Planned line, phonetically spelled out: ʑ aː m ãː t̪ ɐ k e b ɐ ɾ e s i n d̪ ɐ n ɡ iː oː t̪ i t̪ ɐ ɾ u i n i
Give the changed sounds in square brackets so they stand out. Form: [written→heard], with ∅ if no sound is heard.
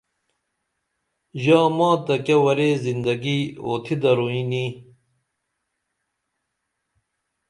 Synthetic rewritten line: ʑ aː m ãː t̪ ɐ k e [b→w] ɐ ɾ e [s→z] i n d̪ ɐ [n→∅] ɡ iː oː [t̪→t̪ʰ] i [t̪→d̪] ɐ ɾ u i n i